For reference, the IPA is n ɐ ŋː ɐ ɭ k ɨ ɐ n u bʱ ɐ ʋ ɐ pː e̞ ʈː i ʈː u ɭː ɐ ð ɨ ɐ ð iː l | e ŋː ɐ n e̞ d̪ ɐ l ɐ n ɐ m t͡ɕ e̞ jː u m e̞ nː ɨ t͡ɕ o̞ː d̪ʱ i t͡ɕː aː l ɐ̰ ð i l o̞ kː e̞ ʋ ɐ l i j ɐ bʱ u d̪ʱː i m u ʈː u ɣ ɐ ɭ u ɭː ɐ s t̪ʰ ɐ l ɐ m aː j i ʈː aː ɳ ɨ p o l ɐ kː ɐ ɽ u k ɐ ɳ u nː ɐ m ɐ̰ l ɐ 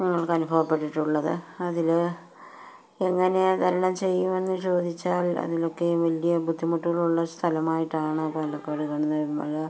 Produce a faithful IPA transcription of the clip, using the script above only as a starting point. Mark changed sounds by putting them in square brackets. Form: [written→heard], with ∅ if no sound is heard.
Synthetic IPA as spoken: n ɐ ŋː ɐ ɭ k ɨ ɐ n u bʱ ɐ ʋ ɐ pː e̞ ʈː i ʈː u ɭː ɐ ð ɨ ɐ ð [iː→i] l | e ŋː ɐ n e̞ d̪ ɐ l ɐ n ɐ m t͡ɕ e̞ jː u m e̞ nː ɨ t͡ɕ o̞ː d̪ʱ i t͡ɕː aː l ɐ̰ ð i l o̞ kː e̞ ʋ ɐ l i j ɐ bʱ u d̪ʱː i m u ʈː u ɣ ɐ ɭ u ɭː ɐ s t̪ʰ ɐ l ɐ m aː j i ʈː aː ɳ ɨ p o l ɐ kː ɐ ɽ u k ɐ ɳ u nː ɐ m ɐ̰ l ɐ